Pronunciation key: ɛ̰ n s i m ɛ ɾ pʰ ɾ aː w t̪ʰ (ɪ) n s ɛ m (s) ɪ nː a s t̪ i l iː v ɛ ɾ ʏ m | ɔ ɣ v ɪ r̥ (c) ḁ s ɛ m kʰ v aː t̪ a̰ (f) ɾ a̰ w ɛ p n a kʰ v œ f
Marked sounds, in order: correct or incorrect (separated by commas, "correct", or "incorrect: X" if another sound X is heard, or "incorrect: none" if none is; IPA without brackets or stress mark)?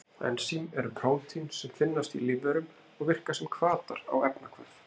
incorrect: i, incorrect: f, incorrect: k, incorrect: none